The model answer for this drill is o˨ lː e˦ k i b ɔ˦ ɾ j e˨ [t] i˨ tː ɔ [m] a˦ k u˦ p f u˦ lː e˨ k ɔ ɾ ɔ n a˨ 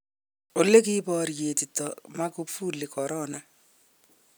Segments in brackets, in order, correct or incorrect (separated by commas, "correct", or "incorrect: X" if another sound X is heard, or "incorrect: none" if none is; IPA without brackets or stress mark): correct, correct